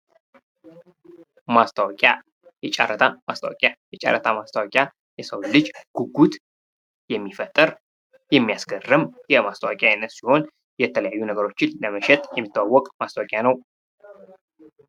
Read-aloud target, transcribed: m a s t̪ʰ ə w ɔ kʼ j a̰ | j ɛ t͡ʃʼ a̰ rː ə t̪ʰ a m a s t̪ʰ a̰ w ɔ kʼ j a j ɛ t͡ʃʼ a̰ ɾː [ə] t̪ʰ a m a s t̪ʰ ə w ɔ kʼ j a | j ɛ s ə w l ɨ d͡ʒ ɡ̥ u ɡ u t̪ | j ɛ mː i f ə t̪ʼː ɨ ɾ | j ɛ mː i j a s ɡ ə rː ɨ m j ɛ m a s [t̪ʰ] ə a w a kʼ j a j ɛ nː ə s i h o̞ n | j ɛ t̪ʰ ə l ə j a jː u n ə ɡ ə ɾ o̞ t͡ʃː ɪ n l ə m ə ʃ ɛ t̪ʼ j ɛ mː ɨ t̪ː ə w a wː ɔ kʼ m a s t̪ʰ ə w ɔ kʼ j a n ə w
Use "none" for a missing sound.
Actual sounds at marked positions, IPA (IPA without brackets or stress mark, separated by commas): ə, t̪